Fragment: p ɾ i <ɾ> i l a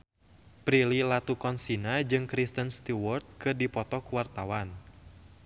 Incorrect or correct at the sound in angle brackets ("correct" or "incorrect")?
incorrect